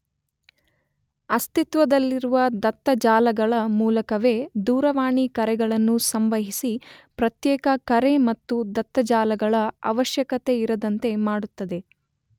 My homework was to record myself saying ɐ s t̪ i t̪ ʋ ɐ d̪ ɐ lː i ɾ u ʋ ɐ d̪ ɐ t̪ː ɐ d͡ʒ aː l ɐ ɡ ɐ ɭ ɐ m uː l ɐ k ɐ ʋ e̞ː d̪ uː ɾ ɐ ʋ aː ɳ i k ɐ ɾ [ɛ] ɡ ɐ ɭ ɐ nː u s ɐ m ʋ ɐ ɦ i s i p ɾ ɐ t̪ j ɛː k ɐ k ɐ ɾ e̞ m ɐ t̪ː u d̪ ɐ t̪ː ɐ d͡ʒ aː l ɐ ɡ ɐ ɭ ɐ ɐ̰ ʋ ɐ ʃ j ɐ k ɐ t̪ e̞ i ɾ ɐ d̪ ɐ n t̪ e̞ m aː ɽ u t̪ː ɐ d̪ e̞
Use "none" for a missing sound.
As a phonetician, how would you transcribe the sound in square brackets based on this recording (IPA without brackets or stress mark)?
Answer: ɛ